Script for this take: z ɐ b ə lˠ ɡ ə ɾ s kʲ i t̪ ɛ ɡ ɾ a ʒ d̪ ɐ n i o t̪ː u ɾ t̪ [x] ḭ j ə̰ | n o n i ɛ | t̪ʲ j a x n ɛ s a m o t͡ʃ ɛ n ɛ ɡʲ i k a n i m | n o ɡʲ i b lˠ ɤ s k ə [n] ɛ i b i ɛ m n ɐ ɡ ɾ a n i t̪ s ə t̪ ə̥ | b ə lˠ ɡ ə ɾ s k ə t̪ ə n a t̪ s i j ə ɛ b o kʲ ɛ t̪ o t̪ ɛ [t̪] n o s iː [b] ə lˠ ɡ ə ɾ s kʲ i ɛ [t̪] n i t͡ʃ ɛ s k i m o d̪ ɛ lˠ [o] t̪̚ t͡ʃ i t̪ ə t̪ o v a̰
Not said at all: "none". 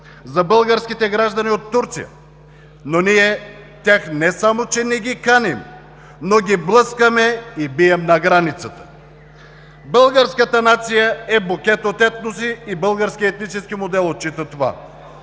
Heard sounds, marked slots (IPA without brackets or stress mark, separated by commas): s, m, t̪, b, t̪, o